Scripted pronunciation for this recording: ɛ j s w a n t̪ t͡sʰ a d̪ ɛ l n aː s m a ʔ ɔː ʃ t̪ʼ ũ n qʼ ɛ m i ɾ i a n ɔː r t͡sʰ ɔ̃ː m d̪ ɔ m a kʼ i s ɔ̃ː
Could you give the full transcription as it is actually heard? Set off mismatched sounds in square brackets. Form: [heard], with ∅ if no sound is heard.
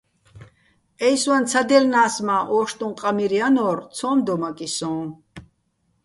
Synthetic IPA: ɛ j s w a n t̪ t͡sʰ a d̪ ɛ l n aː s m a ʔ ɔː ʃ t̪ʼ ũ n qʼ [a] m i ɾ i a n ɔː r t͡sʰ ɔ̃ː m d̪ ɔ m a kʼ i s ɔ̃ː